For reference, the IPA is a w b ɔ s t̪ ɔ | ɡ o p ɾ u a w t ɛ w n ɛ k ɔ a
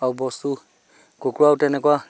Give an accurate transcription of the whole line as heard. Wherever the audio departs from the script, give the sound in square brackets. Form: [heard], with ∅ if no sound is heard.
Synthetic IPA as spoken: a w b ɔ s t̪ [u] | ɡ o [k] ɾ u a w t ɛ [∅] n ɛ k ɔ a